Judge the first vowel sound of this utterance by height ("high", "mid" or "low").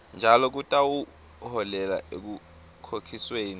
low